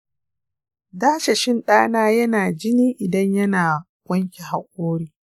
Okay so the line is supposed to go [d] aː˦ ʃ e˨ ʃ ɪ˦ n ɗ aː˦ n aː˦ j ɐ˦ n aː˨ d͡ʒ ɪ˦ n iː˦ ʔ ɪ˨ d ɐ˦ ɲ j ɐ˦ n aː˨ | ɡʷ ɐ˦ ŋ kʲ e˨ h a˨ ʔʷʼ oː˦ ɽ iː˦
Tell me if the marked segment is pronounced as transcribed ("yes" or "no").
yes